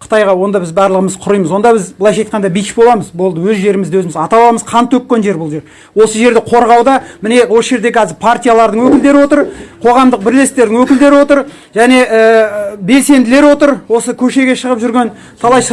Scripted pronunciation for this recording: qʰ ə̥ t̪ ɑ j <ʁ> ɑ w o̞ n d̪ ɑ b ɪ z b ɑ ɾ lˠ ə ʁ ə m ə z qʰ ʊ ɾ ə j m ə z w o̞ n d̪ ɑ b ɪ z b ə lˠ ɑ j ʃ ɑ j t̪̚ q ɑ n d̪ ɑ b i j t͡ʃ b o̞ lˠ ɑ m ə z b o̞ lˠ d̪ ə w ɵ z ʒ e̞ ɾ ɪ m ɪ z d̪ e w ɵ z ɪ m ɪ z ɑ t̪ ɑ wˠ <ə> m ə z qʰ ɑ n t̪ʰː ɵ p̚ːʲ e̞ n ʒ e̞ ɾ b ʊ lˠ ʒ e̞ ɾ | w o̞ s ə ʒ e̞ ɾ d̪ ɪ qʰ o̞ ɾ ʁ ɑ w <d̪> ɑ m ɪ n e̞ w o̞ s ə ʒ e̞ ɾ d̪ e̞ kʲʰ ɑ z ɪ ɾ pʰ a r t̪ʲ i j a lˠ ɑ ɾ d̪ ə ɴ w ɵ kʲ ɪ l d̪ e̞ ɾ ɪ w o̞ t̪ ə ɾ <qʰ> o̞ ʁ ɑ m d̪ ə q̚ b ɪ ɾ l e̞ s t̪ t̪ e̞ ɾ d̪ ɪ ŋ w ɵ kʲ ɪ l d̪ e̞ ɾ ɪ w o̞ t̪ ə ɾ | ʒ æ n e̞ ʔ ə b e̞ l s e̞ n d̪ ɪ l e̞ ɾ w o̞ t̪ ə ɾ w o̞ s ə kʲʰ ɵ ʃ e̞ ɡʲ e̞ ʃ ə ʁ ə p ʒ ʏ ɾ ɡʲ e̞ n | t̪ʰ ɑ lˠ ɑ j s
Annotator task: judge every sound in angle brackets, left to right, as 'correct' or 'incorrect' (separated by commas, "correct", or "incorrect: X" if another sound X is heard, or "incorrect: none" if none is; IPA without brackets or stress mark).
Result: correct, incorrect: ɑ, correct, correct